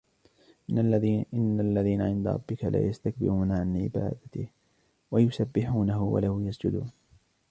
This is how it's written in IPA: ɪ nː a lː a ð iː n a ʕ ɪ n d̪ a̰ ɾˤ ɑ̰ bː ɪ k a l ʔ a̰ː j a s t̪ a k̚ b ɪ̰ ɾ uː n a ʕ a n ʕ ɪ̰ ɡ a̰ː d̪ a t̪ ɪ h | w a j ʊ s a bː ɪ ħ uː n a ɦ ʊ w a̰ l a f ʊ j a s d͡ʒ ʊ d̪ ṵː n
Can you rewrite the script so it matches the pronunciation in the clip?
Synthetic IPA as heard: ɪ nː a lː a ð iː n a ʕ ɪ n d̪ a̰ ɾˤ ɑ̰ bː ɪ k a l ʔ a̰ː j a s t̪ a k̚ b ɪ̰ ɾ uː n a ʕ a n ʕ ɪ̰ b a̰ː d̪ a t̪ ɪ h | w a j ʊ s a bː ɪ ħ uː n a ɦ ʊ w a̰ l a h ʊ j a s d͡ʒ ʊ d̪ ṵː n

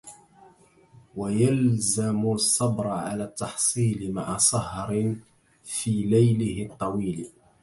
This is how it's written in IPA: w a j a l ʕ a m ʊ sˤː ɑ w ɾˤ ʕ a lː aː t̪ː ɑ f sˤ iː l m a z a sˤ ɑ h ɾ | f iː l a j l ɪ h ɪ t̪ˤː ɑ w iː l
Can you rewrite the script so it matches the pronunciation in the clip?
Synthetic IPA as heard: w a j a l z a m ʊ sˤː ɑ b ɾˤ ʕ a l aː t̪ː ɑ ħ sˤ iː l m a ʕ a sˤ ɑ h ɾ | f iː l a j l ɪ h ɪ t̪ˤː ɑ w iː l

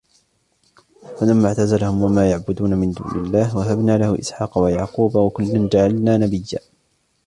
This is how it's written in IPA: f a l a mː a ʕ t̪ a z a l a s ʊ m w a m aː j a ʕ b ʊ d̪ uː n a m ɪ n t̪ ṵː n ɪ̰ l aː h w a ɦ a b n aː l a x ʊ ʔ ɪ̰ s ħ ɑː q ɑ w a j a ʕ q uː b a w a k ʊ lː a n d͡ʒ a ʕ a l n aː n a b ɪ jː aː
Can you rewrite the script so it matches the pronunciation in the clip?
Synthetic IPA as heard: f a l a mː a ʕ t̪ a z a l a h ʊ m w a m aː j a ʕ b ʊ d̪ uː n a m ɪ n d̪ ṵː n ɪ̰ lː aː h w a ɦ a b n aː l a h ʊ ʔ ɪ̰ s ħ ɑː q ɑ w a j a ʕ q uː b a w a k ʊ lː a n d͡ʒ a ʕ a l n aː n a b ɪ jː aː

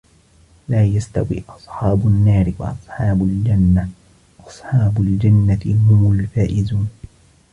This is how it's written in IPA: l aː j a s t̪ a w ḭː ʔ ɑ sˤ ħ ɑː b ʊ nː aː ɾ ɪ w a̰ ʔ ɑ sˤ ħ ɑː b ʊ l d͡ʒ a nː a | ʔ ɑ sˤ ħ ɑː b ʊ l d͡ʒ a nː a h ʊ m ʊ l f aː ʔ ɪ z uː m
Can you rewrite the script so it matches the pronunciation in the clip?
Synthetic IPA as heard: l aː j a s t̪ a w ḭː ʔ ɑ sˤ ħ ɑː b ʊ nː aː ɾ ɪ w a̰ ʔ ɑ sˤ ħ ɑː b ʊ l d͡ʒ a nː a | ʔ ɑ sˤ ħ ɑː b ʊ l d͡ʒ a nː a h ʊ m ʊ l f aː ʔ ɪ z uː n

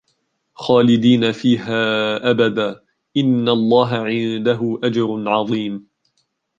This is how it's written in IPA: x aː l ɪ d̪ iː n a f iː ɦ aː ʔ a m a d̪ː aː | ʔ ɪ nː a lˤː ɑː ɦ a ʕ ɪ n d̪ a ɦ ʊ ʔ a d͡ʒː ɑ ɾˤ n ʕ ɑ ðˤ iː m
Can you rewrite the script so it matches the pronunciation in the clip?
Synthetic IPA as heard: x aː l ɪ d̪ iː n a f iː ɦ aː ʔ a b a d̪ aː | ʔ ɪ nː a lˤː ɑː ɦ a ʕ ɪ n d̪ a ɦ ʊ ʔ a d͡ʒ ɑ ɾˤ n ʕ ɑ ðˤ iː m

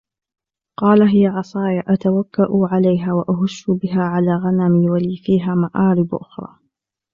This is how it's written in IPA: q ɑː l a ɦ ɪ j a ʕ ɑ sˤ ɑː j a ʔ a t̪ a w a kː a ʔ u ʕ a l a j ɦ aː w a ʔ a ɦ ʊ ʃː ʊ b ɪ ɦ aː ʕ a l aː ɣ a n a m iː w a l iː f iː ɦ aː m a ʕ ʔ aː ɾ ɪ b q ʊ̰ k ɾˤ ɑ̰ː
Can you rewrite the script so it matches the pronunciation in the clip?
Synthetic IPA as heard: q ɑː l a ɦ ɪ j a ʕ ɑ sˤ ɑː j a ʔ a t̪ a w a kː a ʔ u ʕ a l a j ɦ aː w a ʔ a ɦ ʊ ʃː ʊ b ɪ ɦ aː ʕ a l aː ɣ a n a m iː w a l iː f iː ɦ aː m a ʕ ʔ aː ɾ ɪ b ʔ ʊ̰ x ɾˤ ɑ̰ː

